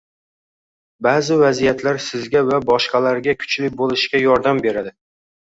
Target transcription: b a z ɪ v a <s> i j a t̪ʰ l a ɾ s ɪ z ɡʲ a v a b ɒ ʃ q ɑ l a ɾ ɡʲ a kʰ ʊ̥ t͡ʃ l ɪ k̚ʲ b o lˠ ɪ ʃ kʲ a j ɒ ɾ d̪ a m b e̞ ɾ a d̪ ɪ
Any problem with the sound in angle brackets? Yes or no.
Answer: yes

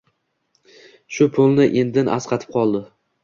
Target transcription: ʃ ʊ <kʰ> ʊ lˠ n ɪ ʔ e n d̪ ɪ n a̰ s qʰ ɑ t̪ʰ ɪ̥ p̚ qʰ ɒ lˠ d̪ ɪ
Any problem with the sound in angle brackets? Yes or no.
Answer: yes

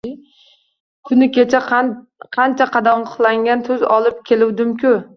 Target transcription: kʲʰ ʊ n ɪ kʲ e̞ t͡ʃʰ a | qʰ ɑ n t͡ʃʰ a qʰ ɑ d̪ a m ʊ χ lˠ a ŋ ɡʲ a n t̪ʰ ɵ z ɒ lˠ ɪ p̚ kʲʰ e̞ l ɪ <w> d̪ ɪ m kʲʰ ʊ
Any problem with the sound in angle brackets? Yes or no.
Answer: no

